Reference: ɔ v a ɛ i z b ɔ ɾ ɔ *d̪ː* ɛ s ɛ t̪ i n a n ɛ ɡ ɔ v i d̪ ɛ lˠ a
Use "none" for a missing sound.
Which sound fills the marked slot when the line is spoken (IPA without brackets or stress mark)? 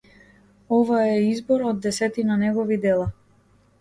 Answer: d̪ː